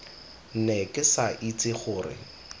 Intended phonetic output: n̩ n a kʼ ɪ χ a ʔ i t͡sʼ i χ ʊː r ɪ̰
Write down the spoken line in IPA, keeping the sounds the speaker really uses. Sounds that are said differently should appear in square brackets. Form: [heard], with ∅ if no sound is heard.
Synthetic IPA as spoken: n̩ n [ɛ] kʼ ɪ [s] a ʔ i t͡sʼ [ɪ] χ ʊː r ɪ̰